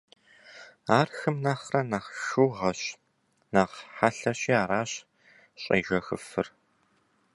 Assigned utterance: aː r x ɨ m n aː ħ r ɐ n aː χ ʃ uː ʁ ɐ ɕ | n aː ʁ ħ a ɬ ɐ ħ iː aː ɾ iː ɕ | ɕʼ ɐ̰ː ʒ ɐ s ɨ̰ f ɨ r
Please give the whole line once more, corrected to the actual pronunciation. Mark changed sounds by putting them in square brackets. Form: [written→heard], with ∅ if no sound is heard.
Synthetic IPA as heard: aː r x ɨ m n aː [ħ→χ] r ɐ n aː χ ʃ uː ʁ ɐ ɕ | n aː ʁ ħ a ɬ ɐ [ħ→ɕ] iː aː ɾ [iː→aː] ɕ | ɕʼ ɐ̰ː ʒ ɐ [s→x] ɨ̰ f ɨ r